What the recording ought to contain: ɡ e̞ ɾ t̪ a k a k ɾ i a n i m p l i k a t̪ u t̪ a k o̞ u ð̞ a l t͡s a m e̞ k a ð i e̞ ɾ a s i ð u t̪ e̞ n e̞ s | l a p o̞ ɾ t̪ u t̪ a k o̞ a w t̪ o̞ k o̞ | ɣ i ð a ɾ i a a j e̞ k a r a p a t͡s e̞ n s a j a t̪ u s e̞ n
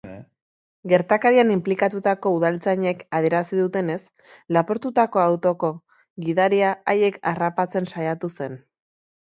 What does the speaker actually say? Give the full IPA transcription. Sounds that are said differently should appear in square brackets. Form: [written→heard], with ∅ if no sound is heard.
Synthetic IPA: ɡ e̞ ɾ t̪ a k a [k→∅] ɾ i a n i m p l i k a t̪ u t̪ a k o̞ u ð̞ a l t͡s a [m→ɲ] e̞ k a ð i e̞ ɾ a s i ð u t̪ e̞ n e̞ s | l a p o̞ ɾ t̪ u t̪ a k o̞ a w t̪ o̞ k o̞ | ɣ i ð a ɾ i a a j e̞ k a r a p a t͡s e̞ n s a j a t̪ u s e̞ n